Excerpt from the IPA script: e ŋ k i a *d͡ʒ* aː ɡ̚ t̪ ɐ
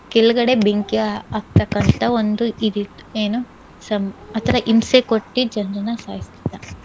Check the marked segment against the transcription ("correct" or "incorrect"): incorrect